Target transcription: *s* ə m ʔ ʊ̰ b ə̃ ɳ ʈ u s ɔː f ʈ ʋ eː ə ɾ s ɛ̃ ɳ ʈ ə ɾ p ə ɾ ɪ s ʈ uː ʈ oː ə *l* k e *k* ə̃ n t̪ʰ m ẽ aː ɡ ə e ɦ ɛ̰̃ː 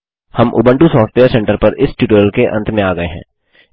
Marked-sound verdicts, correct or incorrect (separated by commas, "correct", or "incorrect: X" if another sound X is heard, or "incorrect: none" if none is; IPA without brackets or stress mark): incorrect: h, correct, incorrect: ʔ